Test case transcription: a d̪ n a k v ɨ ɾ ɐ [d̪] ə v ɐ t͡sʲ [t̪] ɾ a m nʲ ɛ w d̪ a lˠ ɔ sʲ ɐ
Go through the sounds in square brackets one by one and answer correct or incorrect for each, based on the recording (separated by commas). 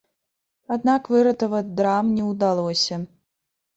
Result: incorrect, incorrect